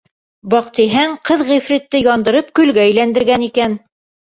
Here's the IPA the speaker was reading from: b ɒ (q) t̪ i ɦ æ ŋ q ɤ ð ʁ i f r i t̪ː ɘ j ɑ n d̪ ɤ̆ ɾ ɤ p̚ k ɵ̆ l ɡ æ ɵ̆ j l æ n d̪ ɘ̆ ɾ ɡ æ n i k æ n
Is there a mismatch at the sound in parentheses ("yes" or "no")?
no